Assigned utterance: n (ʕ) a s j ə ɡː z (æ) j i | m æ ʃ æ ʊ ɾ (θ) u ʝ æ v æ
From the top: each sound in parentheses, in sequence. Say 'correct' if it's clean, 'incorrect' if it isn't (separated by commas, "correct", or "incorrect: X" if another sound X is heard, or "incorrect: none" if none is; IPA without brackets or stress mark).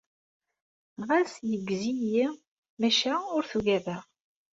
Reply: incorrect: ʁ, incorrect: i, correct